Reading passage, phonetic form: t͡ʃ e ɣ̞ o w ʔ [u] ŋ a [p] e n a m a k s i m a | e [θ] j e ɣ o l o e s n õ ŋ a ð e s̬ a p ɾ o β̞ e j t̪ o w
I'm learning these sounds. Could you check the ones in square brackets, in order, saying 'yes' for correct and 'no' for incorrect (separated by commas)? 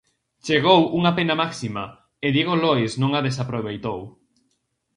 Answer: yes, yes, no